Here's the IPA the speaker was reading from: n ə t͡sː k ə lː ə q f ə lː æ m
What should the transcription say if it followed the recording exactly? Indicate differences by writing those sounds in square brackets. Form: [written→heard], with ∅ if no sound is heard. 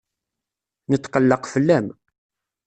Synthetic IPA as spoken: n ə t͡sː [k→q] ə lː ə q f ə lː æ m